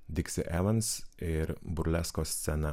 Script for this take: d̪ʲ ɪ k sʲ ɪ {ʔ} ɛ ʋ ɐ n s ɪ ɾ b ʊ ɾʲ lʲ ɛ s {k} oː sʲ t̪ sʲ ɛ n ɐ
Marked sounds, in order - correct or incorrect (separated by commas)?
correct, correct